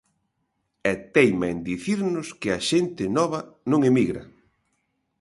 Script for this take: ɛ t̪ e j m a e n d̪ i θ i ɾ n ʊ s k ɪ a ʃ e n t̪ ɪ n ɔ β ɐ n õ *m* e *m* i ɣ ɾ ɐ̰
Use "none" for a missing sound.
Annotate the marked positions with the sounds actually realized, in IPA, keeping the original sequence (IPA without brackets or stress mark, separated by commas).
ŋ, m